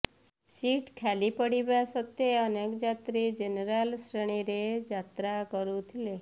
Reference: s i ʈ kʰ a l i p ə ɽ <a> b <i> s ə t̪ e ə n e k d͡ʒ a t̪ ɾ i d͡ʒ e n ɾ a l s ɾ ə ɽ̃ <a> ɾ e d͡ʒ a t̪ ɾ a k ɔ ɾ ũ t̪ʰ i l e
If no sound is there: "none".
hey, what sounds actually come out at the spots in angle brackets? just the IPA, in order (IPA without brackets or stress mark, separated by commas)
i, a, i